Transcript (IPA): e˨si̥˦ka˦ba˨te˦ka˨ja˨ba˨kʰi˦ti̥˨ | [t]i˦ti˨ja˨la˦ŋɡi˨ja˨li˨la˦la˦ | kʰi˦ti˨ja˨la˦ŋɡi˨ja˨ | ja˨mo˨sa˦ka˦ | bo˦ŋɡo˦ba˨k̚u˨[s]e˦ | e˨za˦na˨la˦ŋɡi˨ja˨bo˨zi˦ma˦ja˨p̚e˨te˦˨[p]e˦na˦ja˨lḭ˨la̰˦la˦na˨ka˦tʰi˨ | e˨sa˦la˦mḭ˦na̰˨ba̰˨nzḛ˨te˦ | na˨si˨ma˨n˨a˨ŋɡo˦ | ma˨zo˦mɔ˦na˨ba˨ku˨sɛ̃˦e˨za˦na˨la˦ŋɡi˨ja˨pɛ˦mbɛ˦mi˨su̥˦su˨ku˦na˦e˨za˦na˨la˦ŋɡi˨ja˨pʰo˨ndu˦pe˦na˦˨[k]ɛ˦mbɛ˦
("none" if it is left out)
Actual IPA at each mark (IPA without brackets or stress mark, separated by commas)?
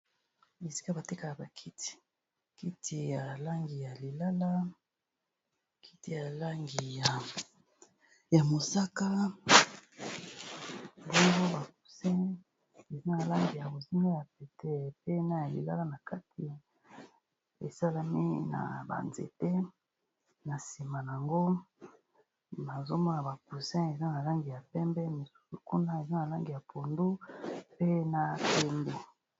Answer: k, s, p, p